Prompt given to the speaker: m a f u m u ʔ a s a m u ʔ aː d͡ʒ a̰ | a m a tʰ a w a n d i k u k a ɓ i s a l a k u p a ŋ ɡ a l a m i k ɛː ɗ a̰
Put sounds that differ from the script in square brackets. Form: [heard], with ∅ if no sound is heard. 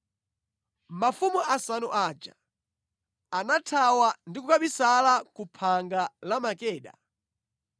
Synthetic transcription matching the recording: m a f u m u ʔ a s a [n] u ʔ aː d͡ʒ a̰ | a [n] a tʰ a w a n d i k u k a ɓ i s a l a k u [pʰ] a ŋ ɡ a l a m [a] k ɛː ɗ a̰